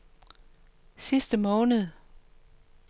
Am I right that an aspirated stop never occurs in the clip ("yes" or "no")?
yes